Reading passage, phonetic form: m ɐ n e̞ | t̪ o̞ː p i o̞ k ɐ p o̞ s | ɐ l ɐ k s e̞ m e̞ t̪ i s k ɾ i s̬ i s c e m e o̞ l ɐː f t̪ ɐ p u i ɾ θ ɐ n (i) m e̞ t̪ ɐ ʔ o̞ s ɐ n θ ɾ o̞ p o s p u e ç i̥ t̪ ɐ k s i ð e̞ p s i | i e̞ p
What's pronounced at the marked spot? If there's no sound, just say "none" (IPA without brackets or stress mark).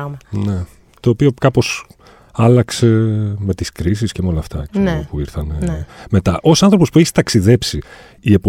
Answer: e